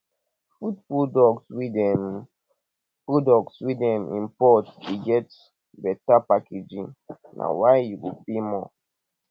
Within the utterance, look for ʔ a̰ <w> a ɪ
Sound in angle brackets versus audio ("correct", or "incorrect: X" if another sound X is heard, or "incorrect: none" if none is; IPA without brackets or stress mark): correct